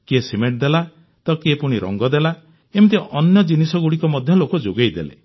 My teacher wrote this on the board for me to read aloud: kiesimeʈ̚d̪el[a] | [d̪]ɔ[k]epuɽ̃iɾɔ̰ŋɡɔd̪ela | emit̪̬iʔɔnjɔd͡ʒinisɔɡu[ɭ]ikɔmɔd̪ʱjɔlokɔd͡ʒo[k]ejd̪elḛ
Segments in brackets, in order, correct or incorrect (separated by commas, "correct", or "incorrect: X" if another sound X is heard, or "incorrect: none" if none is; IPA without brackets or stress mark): correct, incorrect: t̪, correct, incorrect: ɽ, incorrect: ɡ